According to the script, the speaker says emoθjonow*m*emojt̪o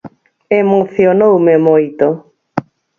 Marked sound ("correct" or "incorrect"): correct